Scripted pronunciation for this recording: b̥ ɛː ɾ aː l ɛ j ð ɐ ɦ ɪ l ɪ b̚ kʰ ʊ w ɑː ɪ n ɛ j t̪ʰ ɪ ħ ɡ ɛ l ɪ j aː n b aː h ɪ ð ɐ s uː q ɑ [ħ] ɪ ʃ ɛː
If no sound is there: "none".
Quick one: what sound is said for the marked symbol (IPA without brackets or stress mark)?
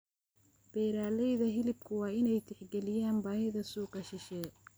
ʃ